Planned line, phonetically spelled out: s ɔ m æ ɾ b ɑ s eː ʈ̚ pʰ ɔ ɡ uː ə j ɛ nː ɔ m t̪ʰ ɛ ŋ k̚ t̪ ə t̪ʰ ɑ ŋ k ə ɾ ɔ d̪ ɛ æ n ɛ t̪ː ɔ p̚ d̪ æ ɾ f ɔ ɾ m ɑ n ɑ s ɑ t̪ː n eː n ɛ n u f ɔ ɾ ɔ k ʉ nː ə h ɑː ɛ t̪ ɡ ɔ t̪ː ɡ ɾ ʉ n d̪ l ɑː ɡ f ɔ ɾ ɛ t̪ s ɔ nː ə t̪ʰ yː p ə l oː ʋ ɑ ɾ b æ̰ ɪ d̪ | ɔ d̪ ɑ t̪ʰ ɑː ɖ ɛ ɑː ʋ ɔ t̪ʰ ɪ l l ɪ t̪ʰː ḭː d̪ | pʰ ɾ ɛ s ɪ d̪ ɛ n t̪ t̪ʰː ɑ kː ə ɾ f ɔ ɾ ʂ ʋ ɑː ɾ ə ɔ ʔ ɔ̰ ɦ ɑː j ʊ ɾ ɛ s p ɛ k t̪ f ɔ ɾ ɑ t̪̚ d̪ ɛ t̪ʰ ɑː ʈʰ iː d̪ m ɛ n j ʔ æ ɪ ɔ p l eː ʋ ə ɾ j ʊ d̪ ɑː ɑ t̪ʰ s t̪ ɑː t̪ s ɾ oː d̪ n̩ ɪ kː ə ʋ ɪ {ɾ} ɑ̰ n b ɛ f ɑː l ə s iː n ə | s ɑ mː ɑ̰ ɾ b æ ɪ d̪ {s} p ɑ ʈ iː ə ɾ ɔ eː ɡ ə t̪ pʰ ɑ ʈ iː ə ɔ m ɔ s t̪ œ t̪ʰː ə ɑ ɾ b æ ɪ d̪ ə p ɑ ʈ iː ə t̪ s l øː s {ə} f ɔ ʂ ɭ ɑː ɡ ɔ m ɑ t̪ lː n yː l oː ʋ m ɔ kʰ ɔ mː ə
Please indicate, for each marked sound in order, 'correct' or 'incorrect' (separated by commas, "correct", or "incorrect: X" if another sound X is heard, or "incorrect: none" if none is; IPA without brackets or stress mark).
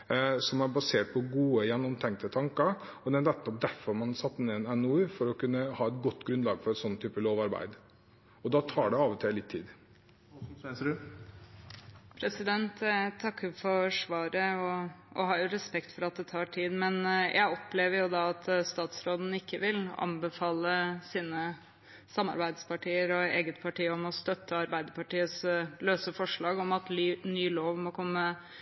incorrect: l, correct, correct